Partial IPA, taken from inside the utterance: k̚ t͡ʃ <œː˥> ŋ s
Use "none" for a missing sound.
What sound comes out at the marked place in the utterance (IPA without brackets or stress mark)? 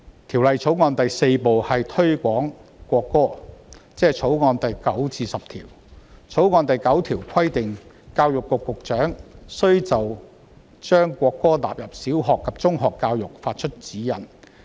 œː˨˥